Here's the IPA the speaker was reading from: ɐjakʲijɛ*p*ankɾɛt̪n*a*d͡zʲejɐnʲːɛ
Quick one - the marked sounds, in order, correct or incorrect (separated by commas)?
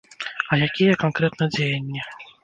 incorrect, incorrect